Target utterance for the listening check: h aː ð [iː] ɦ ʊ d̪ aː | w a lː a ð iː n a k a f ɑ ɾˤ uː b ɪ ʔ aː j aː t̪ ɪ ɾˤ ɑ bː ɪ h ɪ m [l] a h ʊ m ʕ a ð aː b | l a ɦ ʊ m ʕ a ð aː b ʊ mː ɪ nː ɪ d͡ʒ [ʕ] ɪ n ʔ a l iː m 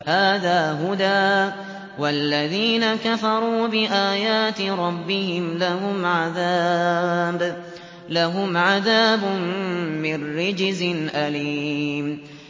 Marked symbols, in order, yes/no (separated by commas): no, yes, no